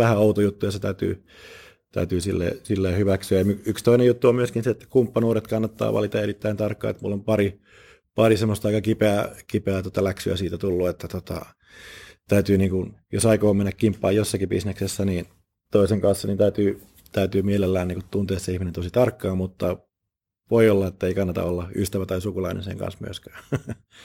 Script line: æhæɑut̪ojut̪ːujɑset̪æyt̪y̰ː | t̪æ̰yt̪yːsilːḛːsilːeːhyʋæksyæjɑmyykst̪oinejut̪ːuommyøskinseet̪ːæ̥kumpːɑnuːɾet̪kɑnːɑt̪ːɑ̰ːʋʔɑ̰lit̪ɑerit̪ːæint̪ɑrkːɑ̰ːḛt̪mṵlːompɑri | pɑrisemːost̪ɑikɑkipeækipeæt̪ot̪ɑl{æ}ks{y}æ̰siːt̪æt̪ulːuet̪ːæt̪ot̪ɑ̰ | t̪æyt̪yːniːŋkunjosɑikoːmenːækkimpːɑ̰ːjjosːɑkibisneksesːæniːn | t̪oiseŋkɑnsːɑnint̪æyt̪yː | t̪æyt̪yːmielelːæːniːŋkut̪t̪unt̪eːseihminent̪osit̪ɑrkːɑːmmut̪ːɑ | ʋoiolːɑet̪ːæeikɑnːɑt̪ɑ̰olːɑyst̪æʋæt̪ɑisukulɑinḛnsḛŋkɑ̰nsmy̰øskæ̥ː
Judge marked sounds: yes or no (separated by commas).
yes, yes